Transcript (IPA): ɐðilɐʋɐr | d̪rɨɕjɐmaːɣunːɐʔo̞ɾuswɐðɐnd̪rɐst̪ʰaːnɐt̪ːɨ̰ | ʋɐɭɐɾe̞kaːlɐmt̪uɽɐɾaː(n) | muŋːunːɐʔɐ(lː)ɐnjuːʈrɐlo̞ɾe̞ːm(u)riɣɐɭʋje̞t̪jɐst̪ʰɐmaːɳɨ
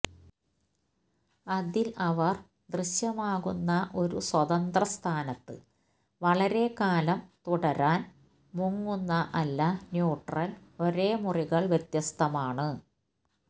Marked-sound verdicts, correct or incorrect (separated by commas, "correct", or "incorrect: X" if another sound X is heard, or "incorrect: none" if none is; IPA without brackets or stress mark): correct, correct, correct